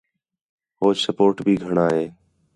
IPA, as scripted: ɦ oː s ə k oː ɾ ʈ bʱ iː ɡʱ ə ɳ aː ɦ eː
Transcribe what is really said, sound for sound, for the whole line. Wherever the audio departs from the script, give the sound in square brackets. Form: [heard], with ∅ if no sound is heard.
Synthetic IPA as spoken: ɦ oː s ə [p] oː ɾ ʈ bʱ iː ɡʱ ə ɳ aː ɦ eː

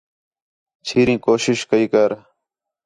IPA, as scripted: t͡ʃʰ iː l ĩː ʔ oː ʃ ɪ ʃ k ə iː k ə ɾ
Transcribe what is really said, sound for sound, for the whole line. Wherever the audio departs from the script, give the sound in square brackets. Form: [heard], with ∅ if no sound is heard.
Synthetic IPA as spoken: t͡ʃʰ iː [ɾ] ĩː [k] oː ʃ ɪ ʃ k ə iː k ə ɾ

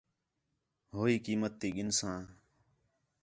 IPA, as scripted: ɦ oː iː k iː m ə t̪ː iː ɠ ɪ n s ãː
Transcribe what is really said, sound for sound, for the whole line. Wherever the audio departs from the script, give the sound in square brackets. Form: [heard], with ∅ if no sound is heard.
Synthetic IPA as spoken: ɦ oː iː k iː m ə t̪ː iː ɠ ɪ n s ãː

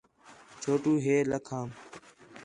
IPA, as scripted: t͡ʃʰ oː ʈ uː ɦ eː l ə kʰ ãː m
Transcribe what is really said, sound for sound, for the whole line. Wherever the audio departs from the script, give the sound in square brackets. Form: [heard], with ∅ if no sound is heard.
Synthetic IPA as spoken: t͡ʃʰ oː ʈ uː ɦ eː l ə kʰ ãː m

